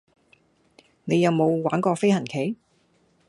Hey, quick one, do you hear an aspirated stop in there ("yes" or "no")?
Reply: yes